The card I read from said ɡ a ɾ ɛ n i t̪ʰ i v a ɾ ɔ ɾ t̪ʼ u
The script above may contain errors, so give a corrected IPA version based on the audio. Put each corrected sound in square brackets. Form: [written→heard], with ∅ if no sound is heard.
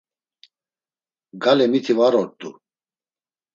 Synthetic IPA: ɡ a [ɾ→l] ɛ [n→m] i t̪ʰ i v a ɾ ɔ ɾ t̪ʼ u